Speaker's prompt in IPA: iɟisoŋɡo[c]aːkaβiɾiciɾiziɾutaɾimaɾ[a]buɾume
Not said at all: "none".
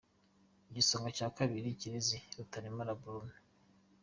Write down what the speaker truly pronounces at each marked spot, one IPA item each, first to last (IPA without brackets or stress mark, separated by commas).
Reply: c, a